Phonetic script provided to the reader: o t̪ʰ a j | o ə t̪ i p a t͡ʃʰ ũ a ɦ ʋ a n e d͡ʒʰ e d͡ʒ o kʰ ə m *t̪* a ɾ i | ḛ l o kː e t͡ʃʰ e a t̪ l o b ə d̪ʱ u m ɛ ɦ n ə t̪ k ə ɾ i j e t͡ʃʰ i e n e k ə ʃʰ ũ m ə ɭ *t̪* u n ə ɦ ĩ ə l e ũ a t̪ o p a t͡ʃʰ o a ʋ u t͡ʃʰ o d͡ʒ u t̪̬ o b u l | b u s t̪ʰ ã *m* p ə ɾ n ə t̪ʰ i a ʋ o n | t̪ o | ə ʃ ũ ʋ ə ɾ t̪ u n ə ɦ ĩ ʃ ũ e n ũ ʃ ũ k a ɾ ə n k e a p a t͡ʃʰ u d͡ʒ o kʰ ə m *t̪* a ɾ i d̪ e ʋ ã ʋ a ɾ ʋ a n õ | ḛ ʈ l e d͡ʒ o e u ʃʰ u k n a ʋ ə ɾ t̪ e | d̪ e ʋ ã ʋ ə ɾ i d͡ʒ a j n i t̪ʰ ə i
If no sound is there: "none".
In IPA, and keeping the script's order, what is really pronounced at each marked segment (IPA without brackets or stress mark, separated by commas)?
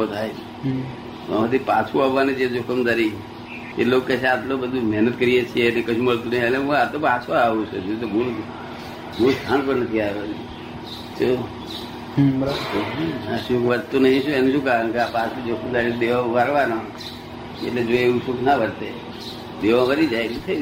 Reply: d̪, t̪, n, d̪